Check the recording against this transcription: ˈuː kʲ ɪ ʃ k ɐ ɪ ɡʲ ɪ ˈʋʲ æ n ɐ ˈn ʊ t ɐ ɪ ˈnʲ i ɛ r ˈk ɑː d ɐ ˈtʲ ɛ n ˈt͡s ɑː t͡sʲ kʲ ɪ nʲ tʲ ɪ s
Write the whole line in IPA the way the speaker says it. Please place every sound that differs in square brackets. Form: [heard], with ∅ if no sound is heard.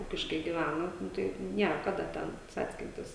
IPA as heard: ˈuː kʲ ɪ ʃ k ɐ ɪ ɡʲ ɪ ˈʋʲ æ n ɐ ˈn ʊ t ɐ ɪ ˈnʲ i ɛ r ˈk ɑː d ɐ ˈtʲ ɛ n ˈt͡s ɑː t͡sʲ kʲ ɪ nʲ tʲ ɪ s